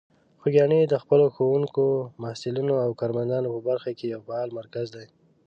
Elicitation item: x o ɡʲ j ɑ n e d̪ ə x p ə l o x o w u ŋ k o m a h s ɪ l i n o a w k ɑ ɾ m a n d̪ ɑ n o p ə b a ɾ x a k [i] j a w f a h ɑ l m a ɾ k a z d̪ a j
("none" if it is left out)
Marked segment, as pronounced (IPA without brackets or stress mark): e